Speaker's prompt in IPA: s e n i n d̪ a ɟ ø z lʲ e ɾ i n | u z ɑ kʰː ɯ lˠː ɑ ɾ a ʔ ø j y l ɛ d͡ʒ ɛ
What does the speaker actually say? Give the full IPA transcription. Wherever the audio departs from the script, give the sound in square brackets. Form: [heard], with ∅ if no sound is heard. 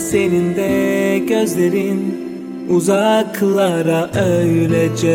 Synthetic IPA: s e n i n d̪ [ɛ] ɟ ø z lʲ e ɾ i n | u z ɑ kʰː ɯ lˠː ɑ ɾ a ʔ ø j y l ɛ d͡ʒ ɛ